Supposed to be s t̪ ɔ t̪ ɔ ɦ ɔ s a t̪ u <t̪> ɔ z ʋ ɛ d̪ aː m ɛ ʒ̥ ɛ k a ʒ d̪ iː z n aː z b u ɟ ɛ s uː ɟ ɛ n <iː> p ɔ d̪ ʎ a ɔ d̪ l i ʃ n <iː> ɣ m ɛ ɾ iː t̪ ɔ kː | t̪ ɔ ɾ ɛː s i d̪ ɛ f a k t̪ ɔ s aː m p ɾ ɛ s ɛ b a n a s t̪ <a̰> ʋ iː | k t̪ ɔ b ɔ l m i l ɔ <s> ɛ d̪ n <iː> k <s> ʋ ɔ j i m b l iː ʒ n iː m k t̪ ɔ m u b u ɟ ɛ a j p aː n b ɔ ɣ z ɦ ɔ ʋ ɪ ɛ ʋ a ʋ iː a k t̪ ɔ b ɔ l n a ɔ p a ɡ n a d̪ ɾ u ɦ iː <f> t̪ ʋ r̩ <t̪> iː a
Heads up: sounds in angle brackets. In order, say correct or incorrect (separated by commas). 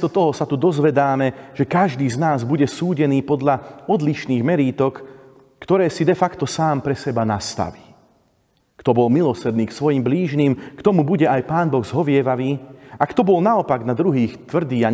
incorrect, correct, correct, correct, correct, correct, correct, incorrect, incorrect